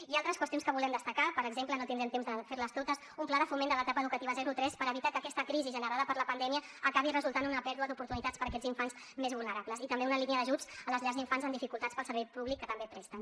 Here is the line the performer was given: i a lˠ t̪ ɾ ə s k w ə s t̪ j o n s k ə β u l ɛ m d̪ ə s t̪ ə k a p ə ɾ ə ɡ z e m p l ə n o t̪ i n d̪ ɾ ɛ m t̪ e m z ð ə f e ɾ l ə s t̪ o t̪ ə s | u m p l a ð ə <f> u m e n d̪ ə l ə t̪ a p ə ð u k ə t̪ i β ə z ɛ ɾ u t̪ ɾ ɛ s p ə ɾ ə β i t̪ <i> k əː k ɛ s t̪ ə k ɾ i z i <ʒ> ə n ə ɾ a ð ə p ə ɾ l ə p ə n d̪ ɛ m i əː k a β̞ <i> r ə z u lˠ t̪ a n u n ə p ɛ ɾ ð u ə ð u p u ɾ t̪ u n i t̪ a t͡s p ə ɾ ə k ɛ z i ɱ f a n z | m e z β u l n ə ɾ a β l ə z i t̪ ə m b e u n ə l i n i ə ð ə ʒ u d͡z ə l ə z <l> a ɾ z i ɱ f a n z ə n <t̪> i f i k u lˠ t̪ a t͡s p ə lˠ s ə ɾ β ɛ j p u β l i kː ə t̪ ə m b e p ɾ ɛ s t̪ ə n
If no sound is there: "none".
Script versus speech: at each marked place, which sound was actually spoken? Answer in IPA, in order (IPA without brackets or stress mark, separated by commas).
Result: f, a, ʒ, i, ʎ, d̪